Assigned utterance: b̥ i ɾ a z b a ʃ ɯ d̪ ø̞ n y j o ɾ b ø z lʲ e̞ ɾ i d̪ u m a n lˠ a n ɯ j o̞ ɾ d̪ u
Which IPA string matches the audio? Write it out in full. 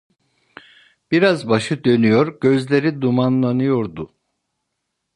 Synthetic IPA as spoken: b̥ i ɾ a z b a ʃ ɯ d̪ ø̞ n y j o ɾ ɟ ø z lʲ e̞ ɾ i d̪ u m a n lˠ a n ɯ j o̞ ɾ d̪ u